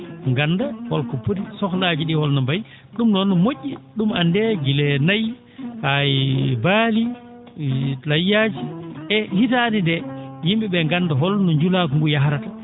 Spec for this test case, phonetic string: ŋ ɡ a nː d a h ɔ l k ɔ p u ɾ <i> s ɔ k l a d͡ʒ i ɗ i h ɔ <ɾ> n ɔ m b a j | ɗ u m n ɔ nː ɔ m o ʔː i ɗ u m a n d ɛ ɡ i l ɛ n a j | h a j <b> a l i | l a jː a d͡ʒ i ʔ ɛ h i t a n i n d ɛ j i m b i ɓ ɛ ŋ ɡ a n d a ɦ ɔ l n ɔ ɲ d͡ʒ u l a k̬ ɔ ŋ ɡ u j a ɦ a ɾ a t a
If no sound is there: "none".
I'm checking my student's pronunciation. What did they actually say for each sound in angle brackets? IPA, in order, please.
i, l, b

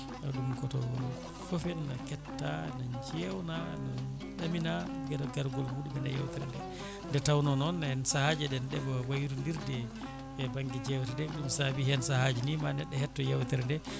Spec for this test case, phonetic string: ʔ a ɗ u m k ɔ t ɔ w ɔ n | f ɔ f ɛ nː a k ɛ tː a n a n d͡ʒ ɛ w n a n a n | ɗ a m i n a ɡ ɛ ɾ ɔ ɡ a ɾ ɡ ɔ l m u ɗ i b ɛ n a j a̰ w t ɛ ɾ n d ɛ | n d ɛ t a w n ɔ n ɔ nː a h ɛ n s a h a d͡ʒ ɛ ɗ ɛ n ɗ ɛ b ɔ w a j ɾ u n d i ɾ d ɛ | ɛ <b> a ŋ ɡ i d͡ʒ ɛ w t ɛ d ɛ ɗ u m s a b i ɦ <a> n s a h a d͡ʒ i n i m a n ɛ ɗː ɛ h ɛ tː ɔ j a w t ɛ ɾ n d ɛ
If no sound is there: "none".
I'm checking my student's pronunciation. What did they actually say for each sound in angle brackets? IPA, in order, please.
b, ɛ

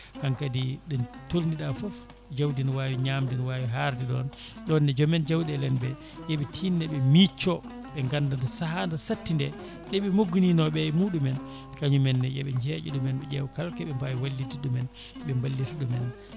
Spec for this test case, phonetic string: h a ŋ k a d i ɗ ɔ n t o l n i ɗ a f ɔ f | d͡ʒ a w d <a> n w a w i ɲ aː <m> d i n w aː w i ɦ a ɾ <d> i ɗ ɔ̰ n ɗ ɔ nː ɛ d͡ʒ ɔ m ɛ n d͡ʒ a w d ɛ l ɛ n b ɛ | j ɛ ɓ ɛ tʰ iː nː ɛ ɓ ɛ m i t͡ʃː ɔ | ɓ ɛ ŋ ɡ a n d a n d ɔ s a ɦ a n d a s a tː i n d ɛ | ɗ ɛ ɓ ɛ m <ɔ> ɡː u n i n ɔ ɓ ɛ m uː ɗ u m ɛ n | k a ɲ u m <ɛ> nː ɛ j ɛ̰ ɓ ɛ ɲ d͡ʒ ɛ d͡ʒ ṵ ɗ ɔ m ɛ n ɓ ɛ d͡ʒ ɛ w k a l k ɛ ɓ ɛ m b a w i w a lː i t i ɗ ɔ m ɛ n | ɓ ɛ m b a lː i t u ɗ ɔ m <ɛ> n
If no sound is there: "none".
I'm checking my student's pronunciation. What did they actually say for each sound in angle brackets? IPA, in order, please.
i, m, d, o, ɛ, ɛ

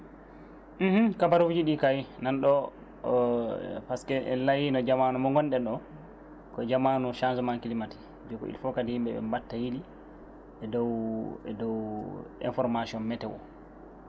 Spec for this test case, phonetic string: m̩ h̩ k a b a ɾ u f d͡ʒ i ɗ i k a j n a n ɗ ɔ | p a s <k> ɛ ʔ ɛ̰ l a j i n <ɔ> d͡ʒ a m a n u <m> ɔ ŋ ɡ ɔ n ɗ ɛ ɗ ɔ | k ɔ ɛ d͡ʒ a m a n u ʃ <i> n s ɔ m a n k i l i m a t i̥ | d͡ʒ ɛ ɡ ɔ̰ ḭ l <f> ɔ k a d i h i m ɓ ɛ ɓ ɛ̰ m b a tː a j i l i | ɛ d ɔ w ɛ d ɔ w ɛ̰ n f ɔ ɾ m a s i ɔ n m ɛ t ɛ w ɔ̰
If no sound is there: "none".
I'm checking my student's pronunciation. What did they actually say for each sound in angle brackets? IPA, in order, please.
k, ɔ, m, a, f

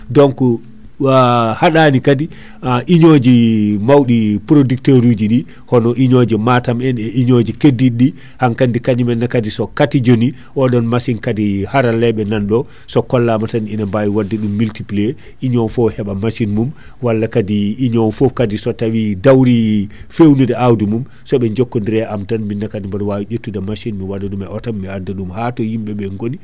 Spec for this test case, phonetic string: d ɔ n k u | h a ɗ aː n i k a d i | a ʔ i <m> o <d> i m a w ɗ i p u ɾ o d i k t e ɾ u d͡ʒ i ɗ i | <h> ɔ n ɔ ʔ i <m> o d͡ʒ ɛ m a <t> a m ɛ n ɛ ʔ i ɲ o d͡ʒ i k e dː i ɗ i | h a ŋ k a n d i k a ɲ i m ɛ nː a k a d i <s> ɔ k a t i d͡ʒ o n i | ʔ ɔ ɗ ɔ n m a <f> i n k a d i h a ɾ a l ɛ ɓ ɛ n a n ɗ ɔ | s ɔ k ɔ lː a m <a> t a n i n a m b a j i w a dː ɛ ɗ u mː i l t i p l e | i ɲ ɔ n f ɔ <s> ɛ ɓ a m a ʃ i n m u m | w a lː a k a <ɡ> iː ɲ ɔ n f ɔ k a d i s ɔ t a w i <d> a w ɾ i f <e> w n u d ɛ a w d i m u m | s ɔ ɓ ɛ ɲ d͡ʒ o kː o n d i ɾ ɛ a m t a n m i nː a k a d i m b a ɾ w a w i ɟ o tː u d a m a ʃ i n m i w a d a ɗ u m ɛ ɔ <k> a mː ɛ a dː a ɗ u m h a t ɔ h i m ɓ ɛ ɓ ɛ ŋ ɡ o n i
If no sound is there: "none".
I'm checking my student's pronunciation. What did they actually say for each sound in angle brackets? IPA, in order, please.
ɲ, d͡ʒ, h, ɲ, t, s, s, a, h, d, d, e, t

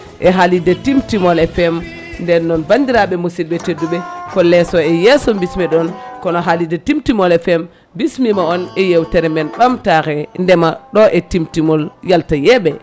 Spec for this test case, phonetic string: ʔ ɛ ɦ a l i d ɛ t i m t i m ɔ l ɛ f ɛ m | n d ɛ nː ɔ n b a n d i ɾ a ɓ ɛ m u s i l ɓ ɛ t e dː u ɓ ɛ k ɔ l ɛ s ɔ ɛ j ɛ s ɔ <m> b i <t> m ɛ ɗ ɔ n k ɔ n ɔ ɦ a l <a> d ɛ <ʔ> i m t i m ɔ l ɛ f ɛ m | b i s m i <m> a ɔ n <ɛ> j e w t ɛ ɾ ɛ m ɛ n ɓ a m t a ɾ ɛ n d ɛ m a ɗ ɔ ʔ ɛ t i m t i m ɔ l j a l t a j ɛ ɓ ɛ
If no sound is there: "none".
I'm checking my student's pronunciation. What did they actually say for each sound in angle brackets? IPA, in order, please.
m, s, i, t, m, ɛ

